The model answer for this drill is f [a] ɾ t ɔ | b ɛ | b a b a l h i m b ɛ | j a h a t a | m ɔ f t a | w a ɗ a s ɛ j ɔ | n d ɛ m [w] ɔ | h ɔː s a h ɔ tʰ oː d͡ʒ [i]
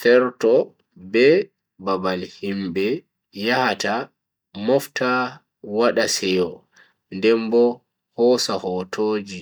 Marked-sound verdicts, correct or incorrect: incorrect: ɛ, incorrect: b, correct

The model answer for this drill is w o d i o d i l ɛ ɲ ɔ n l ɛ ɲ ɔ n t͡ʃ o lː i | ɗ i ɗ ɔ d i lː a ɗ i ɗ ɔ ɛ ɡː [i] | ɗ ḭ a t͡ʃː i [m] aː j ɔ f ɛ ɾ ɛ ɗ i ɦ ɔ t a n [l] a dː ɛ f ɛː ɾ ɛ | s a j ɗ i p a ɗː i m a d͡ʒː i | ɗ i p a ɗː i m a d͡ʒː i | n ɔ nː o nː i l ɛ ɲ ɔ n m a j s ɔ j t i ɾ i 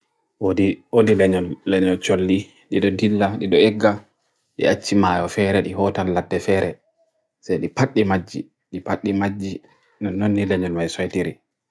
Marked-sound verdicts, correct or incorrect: incorrect: a, correct, correct

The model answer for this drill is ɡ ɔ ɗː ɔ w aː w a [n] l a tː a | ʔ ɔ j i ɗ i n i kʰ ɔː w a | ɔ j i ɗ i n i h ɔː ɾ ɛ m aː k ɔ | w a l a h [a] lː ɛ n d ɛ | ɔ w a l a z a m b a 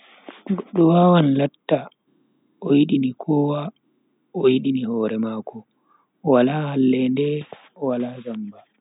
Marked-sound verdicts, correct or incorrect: correct, correct

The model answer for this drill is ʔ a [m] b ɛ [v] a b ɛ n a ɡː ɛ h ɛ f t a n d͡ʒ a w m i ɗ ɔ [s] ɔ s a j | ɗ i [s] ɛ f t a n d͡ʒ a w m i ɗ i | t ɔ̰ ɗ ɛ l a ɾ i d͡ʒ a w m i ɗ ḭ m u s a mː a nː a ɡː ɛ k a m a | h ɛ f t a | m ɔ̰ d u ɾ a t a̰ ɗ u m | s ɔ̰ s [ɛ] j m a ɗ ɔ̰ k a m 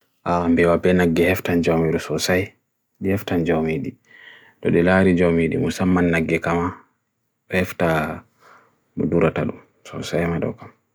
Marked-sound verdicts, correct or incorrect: correct, incorrect: w, correct, incorrect: h, incorrect: a

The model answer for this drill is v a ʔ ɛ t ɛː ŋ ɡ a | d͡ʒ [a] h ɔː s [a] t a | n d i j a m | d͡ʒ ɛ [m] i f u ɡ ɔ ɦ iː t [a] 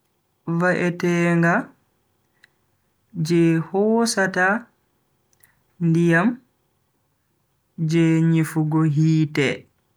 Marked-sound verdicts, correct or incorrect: incorrect: ɛ, correct, incorrect: ɲ, incorrect: ɛ

